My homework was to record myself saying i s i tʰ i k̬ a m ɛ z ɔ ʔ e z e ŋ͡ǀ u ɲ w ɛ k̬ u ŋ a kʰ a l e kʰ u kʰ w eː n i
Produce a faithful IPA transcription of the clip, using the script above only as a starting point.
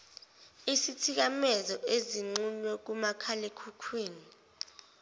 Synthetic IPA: i s i tʰ i k̬ a m ɛ z ɔ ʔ e z i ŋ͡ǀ u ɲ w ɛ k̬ u m a kʰ a l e kʰ u kʰ w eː n i